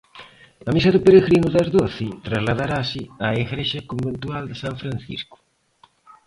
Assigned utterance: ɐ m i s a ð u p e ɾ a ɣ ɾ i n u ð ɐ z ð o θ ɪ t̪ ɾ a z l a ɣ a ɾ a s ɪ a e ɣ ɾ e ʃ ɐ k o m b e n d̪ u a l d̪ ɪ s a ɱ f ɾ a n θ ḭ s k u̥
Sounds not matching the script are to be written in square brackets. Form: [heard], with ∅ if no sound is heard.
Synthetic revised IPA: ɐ m i s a ð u p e ɾ [e] ɣ ɾ i n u ð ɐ z ð o θ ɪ t̪ ɾ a z l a [ð] a ɾ a s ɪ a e ɣ ɾ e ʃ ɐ k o m b e n [t̪] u a l d̪ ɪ s a ɱ f ɾ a n θ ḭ s k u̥